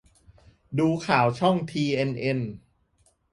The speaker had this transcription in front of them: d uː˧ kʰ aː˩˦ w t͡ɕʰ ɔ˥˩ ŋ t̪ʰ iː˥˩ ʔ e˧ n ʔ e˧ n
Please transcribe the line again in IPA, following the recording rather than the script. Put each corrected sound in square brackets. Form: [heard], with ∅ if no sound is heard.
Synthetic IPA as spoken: d uː˧ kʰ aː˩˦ w t͡ɕʰ ɔ˥˩ ŋ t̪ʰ [iː˧] ʔ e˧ n ʔ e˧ n